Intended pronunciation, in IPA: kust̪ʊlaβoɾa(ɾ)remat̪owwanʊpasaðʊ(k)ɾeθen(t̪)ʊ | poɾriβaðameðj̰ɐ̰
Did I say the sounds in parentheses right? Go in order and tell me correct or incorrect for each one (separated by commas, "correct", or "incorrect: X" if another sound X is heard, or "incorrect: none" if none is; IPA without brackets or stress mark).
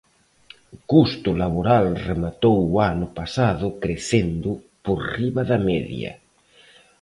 incorrect: l, correct, incorrect: d̪